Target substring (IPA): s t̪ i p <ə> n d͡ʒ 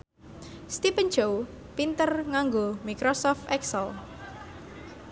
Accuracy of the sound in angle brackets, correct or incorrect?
correct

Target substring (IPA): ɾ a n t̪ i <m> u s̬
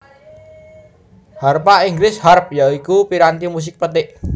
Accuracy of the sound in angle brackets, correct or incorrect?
correct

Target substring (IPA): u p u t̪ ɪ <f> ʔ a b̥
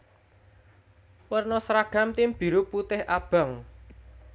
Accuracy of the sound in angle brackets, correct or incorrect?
incorrect: h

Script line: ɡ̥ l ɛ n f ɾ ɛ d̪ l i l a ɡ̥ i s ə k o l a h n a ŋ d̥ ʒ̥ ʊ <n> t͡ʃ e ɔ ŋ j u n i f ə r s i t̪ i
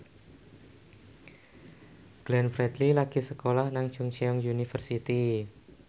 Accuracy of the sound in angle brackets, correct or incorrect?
incorrect: ŋ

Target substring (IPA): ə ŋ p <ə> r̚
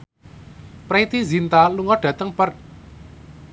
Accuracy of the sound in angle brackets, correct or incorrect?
correct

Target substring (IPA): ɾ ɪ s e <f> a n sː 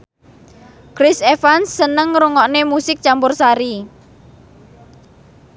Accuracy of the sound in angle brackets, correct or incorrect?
correct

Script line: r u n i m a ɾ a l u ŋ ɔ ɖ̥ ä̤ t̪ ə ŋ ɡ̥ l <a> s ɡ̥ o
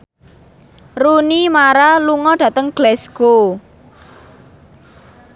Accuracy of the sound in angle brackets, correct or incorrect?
incorrect: ɛ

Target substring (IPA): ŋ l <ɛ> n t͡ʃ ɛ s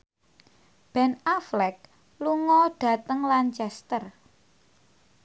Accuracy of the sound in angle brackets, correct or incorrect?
incorrect: a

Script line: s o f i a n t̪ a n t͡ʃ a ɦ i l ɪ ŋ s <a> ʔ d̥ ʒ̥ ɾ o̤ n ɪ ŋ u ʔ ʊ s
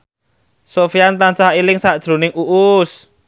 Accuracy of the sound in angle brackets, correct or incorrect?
correct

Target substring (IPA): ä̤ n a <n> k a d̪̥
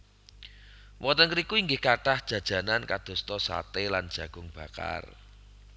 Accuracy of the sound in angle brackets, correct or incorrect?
correct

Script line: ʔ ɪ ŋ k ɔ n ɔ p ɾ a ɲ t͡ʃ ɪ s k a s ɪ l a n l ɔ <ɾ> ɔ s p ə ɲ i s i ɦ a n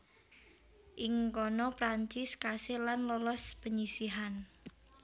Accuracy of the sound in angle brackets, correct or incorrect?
incorrect: l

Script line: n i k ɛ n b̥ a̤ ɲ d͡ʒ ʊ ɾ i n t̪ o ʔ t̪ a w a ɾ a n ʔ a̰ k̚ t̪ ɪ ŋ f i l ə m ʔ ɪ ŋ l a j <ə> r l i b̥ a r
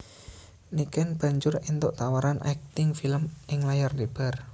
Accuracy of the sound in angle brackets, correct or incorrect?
incorrect: a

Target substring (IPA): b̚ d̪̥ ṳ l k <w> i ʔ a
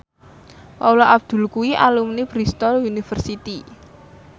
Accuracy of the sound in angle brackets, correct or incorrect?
incorrect: u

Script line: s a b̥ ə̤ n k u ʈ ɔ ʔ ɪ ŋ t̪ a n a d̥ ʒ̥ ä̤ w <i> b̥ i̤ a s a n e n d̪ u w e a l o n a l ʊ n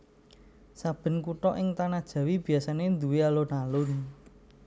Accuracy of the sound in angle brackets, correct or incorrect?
correct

